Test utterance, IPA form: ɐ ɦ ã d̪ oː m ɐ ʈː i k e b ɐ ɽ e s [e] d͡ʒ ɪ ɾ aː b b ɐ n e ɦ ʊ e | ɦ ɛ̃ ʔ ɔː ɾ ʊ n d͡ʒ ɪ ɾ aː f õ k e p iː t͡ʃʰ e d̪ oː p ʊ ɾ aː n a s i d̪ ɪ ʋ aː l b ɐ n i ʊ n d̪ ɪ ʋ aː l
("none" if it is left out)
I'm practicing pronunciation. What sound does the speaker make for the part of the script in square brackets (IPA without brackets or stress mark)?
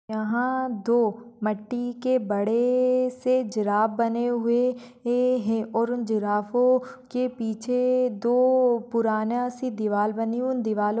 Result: e